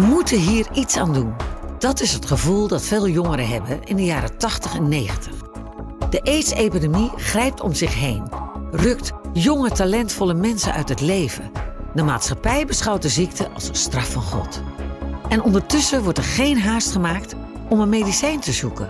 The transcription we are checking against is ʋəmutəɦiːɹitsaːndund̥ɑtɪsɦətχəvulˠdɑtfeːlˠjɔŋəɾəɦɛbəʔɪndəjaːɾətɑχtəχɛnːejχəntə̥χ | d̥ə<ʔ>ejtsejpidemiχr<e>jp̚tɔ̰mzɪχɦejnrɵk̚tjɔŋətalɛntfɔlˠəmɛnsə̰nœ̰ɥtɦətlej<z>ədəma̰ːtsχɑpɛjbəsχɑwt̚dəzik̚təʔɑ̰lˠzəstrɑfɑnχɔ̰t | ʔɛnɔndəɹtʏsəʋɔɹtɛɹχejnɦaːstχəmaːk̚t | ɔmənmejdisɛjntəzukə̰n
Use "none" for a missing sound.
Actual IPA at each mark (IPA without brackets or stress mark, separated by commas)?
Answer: ʔ, ɛ, v